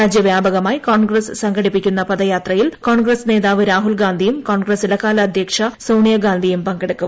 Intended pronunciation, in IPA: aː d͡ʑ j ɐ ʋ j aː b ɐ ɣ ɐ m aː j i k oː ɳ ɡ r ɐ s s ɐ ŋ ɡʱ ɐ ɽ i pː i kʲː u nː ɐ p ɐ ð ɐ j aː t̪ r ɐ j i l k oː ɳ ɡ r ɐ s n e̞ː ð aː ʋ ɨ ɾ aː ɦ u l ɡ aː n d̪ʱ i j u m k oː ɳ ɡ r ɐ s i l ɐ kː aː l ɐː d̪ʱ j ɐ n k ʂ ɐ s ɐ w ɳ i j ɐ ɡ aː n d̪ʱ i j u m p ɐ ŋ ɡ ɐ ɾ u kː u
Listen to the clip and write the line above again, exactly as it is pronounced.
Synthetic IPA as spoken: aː d͡ʑ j ɐ ʋ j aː b ɐ ɣ ɐ m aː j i k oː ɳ ɡ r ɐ s s ɐ ŋ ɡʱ ɐ ɽ i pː i kʲː u nː ɐ p ɐ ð ɐ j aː t̪ r ɐ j i l k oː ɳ ɡ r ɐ s n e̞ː ð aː ʋ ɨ ɾ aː ɦ u l ɡ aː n d̪ʱ i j u m k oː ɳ ɡ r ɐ s i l ɐ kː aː l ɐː d̪ʱ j ɐ k ʂ ɐ s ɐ w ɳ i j ɐ ɡ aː n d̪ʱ i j u m p ɐ ŋ ɡ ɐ ɽ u kː u